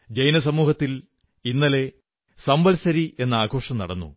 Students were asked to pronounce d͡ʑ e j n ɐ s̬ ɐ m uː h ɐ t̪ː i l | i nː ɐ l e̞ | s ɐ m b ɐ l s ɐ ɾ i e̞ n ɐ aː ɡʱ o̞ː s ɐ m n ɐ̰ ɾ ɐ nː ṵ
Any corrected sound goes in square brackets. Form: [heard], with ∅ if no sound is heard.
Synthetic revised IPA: d͡ʑ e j n ɐ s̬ ɐ m uː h ɐ t̪ː i l | i nː ɐ l e̞ | s ɐ m b ɐ l s ɐ ɾ i e̞ [nː] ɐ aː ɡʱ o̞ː [ʂ] ɐ m n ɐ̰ [ɽ] ɐ nː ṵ